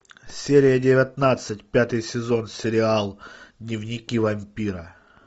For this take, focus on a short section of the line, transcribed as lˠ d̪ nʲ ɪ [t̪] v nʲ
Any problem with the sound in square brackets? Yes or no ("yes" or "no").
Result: yes